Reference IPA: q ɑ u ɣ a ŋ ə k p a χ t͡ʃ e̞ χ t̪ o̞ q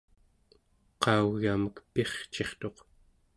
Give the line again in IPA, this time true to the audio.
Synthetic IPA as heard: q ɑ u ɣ a m ə k p e χ t͡ʃ e̞ χ t̪ o̞ q